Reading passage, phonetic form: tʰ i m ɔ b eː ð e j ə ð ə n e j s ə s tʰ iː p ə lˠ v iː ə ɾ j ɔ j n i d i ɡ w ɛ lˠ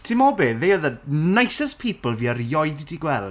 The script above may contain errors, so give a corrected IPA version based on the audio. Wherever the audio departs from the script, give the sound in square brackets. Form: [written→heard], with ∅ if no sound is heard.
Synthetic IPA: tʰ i m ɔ b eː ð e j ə ð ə n [e→a] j s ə s [tʰ→pʰ] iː p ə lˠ v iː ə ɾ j ɔ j [n→d] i d i ɡ w ɛ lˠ

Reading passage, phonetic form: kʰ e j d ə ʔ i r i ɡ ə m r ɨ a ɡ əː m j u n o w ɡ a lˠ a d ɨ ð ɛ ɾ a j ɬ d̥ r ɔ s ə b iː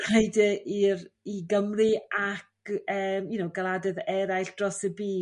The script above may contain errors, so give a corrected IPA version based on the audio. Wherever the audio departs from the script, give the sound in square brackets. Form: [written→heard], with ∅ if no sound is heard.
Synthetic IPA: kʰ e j d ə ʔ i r i ɡ ə m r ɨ a [ɡ→k] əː m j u n o w ɡ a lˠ a d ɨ ð ɛ ɾ a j ɬ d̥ r ɔ s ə b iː

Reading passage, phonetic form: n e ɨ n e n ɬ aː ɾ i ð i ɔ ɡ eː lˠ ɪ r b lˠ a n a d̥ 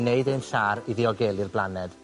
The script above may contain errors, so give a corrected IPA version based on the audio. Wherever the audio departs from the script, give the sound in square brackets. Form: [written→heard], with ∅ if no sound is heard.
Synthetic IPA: n e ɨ [n→d] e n ɬ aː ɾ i ð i ɔ ɡ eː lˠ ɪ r b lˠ a n [a→ɛ] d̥

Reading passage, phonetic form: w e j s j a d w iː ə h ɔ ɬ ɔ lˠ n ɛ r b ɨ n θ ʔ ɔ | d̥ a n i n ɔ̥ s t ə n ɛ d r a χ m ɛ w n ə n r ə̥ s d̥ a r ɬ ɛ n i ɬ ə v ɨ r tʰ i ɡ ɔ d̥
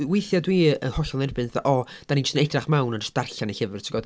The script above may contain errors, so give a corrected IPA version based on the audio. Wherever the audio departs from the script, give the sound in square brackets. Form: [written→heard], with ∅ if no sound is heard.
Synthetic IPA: w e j [s→θ] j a d w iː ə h ɔ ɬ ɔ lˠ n ɛ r b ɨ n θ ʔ ɔ | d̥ a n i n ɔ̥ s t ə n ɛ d r a χ m [ɛ→a] w n ə n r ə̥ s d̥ a r ɬ [ɛ→a] n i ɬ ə v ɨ r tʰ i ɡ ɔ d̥

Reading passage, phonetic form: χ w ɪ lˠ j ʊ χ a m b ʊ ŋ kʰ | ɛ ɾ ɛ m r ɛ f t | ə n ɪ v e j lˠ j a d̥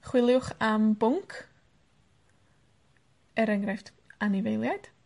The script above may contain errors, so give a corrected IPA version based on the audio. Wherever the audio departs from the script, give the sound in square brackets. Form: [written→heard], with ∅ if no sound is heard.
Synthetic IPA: χ w ɪ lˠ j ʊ χ a m b ʊ ŋ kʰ | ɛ ɾ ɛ [m→ŋ] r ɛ f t | [ə→a] n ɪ v e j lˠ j a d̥

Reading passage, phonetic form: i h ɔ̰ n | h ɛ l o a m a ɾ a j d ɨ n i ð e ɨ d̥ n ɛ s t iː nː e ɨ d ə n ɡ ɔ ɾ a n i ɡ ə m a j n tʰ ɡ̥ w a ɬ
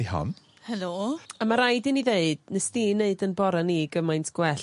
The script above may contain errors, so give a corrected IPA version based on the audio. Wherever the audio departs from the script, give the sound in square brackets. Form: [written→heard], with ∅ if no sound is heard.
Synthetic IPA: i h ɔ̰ n | h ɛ l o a m a ɾ a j d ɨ n i ð e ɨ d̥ n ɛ s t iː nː e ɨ d ə n [ɡ→b] ɔ ɾ a n i ɡ ə m a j n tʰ ɡ̥ w [a→ɛ] ɬ

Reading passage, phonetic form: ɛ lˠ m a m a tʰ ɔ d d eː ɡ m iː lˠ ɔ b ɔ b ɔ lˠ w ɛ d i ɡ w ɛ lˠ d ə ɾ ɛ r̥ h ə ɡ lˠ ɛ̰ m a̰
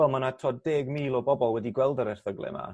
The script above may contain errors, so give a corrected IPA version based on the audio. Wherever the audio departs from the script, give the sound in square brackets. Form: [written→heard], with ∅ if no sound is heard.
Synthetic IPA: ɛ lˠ m a [m→n] a tʰ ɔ d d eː ɡ m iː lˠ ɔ b ɔ b ɔ lˠ w ɛ d i ɡ w ɛ lˠ d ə ɾ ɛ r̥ [h→θ] ə ɡ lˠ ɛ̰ m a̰

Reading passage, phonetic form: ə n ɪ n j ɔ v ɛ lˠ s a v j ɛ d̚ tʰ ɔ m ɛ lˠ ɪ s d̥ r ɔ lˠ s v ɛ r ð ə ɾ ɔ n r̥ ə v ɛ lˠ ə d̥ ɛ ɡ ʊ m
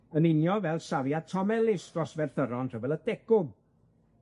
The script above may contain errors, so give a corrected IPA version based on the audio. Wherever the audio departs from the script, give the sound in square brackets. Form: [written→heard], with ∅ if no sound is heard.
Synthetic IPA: ə n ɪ n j ɔ v ɛ lˠ s a v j [ɛ→a] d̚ tʰ ɔ m ɛ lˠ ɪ s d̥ r ɔ [lˠ→∅] s v ɛ r [ð→θ] ə ɾ ɔ n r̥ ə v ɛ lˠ ə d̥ ɛ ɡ ʊ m

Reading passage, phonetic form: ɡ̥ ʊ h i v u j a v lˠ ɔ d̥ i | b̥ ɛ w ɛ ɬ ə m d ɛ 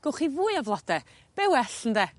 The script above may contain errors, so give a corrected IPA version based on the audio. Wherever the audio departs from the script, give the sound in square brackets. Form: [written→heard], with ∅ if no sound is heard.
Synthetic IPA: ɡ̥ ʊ [h→χ] i v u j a v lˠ ɔ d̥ [i→ɛ] | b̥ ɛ w ɛ ɬ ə [m→n] d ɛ

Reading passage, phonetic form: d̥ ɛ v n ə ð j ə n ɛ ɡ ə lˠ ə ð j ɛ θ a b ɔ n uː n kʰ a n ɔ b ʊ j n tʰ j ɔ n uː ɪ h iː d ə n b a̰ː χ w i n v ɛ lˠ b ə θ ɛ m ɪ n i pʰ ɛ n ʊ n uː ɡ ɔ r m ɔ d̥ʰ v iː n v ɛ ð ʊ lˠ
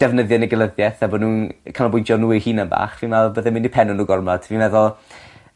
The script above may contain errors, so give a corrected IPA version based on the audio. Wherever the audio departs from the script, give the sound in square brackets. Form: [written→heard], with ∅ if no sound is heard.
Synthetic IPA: d̥ ɛ v n ə ð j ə n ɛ ɡ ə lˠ ə ð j ɛ θ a b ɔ n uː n kʰ a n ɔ b ʊ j n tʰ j ɔ n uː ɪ h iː [d→n] ə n b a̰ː χ [w→v] i n v ɛ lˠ b ə [θ→ð] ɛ m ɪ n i pʰ ɛ n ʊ n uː ɡ ɔ r m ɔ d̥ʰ v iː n v ɛ ð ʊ lˠ

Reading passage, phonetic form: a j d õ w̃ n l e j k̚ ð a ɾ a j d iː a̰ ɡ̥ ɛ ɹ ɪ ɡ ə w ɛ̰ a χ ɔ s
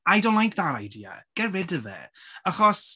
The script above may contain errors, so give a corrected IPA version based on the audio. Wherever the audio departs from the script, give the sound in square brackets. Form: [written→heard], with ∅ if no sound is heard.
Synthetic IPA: a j d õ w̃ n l [e→a] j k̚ ð a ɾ a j d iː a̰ ɡ̥ ɛ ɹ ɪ [ɡ→d] ə [w→v] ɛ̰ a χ ɔ s

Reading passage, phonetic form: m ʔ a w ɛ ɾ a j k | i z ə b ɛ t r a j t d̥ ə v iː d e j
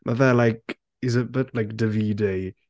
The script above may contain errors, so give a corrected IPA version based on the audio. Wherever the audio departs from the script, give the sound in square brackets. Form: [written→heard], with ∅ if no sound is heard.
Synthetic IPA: m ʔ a [w→v] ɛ [ɾ→l] a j k | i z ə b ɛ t [r→l] a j [t→k] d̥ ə v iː d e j

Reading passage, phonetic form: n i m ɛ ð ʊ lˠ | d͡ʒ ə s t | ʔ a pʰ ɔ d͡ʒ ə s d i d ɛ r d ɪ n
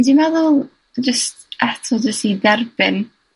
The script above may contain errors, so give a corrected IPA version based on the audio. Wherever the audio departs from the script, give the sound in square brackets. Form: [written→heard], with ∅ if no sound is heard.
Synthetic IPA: [n→d] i m ɛ ð ʊ lˠ | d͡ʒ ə s t | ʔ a [pʰ→tʰ] ɔ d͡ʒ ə s [d→t] i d ɛ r [d→b] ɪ n

